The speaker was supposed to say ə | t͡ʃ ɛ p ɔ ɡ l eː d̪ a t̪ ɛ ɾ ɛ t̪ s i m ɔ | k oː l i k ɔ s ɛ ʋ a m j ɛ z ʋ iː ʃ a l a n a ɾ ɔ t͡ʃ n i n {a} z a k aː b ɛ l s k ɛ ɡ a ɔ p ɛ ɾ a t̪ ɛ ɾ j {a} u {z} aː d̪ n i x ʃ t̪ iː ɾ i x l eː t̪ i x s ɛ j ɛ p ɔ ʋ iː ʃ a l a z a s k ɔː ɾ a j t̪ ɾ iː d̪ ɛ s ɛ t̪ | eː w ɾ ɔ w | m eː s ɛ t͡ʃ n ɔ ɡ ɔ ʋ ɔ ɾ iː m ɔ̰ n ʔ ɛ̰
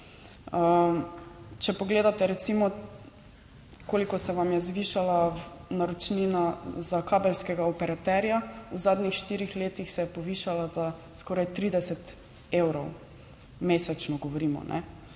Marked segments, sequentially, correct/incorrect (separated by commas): correct, correct, correct